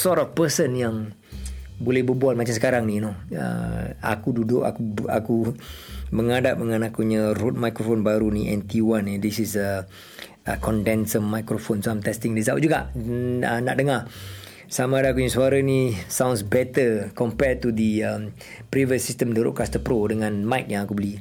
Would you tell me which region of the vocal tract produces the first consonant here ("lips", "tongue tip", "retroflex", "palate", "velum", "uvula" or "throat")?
tongue tip